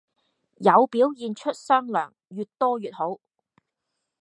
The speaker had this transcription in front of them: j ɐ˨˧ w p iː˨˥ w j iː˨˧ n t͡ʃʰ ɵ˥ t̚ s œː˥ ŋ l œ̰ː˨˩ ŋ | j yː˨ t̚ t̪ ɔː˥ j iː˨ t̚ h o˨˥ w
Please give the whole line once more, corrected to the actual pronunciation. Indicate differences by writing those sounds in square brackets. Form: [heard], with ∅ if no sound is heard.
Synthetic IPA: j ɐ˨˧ w p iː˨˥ w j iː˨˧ n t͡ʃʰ ɵ˥ t̚ s œː˥ ŋ l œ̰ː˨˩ ŋ | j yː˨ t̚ t̪ ɔː˥ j [yː˨] t̚ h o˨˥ w